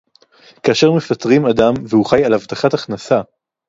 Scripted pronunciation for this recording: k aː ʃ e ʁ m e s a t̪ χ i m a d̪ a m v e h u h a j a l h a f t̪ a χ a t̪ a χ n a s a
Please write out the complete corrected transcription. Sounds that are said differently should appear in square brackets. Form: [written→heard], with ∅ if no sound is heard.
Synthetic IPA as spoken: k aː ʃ e ʁ m e [s→f] a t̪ [χ→ʁ] i m a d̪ a m v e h u [h→χ] a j a l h a [f→v] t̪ a χ a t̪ a χ n a s a